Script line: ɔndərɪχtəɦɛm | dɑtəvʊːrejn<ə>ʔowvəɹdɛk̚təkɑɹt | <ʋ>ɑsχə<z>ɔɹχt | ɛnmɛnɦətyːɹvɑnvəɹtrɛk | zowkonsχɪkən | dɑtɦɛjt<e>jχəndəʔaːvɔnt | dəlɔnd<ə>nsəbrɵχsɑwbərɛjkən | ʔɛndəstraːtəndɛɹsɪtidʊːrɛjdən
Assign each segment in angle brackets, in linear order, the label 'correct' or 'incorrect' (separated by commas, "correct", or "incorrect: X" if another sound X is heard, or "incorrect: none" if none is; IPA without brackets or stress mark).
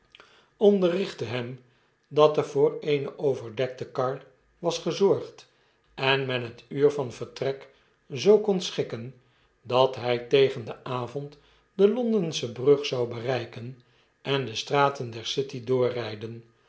correct, correct, correct, correct, correct